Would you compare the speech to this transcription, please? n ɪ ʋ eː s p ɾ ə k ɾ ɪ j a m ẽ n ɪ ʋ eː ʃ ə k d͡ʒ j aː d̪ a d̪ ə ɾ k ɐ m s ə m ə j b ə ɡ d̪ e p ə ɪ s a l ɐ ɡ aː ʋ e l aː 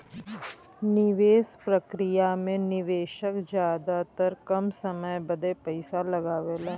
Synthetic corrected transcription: n ɪ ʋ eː s p ɾ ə k ɾ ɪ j a m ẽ n ɪ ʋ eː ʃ ə k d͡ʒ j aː d̪ a t̪ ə ɾ k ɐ m s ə m ə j b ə d̪ e p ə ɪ s a l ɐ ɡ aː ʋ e l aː